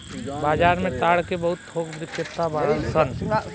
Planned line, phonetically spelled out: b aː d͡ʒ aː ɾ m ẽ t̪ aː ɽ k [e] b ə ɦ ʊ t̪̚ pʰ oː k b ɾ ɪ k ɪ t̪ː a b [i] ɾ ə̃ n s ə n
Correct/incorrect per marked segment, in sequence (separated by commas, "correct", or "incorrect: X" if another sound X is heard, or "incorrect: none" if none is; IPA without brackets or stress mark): correct, incorrect: a